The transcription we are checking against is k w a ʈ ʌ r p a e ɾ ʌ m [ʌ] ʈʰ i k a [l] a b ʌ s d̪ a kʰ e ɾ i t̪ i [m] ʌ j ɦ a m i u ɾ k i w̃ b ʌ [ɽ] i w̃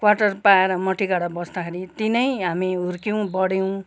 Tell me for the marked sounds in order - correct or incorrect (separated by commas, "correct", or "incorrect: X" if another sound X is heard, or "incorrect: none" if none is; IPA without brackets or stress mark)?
correct, incorrect: ɽ, incorrect: n, correct